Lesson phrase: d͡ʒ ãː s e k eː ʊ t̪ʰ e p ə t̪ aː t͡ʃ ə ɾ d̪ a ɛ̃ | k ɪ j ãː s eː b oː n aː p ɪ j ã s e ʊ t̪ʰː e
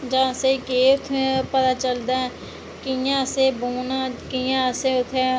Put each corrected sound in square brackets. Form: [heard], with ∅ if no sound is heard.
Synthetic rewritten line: d͡ʒ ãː s e k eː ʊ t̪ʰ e p ə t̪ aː t͡ʃ ə [l] d̪ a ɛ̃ | k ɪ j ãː s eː b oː n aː [k] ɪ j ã s e ʊ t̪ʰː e